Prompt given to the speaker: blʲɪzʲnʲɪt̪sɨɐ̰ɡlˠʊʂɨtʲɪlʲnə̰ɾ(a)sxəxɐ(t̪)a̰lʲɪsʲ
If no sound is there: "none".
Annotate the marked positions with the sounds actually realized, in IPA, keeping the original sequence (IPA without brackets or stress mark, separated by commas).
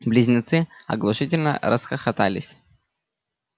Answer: ə, t̪